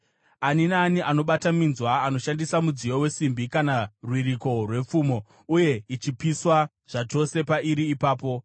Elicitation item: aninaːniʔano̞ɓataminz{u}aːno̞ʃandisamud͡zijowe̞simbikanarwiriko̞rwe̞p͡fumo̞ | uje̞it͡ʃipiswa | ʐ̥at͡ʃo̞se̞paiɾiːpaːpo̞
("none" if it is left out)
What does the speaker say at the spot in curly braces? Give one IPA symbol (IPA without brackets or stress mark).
w